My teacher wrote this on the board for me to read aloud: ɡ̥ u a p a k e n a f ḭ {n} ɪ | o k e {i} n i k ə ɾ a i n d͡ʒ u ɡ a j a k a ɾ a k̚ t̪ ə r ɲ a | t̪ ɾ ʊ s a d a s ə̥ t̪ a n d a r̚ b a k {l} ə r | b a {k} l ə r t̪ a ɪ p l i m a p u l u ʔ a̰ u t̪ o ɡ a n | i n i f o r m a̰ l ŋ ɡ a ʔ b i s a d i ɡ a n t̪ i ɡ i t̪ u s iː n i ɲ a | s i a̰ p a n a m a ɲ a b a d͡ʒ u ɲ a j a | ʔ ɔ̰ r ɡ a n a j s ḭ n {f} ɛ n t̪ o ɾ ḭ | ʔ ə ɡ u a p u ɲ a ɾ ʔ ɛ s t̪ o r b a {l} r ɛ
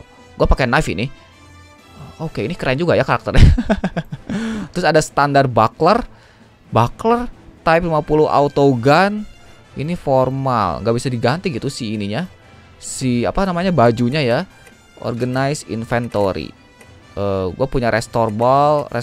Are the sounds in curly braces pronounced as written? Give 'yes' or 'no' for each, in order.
yes, yes, yes, yes, yes, yes

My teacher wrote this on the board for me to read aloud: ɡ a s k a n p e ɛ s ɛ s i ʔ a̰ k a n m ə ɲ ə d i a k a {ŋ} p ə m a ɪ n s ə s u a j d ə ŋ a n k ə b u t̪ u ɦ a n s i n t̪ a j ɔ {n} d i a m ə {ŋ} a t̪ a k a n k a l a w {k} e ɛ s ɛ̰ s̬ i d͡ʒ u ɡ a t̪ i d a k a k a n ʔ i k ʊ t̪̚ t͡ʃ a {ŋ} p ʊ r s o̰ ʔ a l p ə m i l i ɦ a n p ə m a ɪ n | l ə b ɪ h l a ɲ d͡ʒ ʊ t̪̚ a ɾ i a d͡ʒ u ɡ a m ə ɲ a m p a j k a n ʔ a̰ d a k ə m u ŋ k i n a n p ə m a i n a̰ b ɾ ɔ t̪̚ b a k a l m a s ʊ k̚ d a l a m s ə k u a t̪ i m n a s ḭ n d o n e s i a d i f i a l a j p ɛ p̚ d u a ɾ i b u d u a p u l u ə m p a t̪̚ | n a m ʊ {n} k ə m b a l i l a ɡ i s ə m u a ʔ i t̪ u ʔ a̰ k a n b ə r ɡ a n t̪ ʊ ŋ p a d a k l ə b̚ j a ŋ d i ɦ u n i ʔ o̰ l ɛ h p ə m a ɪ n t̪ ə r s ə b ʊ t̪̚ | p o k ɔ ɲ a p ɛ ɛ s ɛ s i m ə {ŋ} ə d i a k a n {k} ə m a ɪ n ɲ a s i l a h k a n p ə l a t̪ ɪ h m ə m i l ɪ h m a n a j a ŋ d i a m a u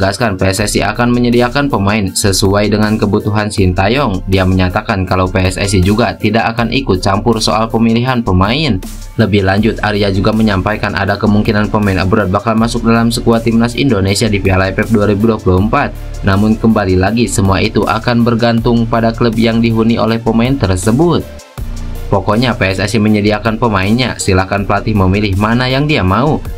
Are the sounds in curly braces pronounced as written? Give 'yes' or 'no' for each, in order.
no, no, no, no, no, yes, no, no

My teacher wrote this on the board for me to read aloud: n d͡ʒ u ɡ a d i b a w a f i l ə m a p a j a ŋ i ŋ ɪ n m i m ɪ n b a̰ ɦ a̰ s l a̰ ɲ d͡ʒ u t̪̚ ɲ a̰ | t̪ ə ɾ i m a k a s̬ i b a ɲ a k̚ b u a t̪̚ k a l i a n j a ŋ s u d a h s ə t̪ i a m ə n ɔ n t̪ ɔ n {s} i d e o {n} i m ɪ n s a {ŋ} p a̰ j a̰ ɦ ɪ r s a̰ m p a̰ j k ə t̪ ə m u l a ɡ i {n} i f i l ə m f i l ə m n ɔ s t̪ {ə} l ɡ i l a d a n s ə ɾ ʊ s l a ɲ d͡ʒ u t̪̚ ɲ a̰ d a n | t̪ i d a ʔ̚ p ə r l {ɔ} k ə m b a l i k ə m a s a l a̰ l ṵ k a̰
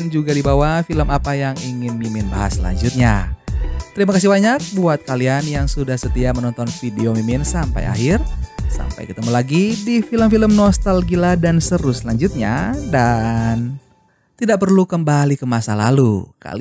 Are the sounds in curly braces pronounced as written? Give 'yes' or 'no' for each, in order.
no, no, no, no, no, no

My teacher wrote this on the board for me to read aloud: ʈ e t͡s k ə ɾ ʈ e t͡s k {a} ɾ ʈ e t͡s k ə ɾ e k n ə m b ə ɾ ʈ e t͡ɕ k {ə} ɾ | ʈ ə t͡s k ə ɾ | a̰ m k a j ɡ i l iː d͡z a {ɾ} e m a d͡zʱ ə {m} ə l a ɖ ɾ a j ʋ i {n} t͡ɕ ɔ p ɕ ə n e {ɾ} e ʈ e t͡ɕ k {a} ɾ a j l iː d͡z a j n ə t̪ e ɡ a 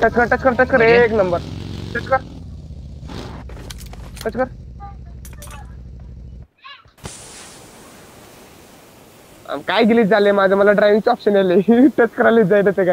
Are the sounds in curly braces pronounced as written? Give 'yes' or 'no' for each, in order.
no, yes, no, yes, no, no, no

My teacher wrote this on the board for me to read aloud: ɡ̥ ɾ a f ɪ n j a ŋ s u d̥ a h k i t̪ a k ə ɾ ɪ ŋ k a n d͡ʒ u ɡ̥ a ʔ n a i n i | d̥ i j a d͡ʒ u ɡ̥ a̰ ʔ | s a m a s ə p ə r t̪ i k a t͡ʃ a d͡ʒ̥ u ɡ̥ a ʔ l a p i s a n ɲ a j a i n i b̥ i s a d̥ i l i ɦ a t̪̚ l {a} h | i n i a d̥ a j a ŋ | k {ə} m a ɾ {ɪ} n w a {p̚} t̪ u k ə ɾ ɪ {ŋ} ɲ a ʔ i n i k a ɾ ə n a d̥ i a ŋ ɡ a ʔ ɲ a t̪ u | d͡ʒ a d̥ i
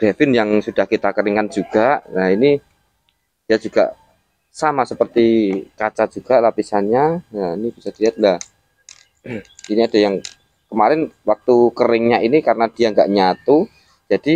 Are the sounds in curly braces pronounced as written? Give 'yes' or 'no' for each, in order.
yes, yes, yes, no, yes

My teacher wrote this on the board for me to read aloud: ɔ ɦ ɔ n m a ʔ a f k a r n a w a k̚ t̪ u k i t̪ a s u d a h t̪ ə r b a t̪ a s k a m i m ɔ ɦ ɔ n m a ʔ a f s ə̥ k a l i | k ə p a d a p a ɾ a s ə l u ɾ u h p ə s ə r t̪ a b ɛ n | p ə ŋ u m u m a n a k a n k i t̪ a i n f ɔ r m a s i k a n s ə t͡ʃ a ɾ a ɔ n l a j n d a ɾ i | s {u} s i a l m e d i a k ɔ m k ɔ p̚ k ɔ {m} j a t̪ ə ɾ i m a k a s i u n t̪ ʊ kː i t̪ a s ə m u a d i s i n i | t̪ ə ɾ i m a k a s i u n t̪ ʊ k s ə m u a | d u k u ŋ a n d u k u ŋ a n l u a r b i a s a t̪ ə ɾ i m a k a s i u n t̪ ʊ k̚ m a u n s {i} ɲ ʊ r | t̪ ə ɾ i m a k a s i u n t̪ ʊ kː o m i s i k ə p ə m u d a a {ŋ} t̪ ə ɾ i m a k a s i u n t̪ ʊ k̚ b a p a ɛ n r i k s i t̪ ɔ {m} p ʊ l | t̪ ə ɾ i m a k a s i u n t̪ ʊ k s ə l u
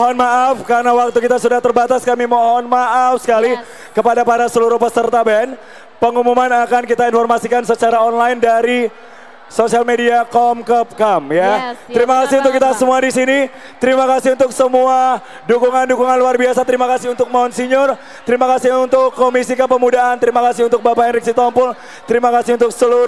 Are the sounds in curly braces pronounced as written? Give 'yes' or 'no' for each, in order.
no, yes, yes, no, yes

